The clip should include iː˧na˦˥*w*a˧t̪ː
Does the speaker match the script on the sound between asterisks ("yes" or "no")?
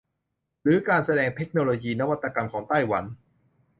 yes